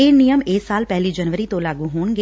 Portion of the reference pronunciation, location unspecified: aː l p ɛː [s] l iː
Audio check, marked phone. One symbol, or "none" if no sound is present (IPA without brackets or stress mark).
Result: none